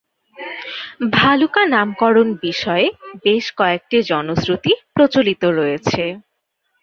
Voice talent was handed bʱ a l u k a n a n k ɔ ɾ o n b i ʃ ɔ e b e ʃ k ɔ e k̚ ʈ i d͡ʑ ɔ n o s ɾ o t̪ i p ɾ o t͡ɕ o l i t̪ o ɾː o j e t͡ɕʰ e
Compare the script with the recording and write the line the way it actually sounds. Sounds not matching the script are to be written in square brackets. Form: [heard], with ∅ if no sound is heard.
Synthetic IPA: bʱ a l u k a n a [m] k ɔ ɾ o n b i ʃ ɔ e b e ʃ k ɔ e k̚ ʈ i d͡ʑ ɔ n o s ɾ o t̪ i p ɾ o t͡ɕ o l i t̪ o [ɾ] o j e t͡ɕʰ e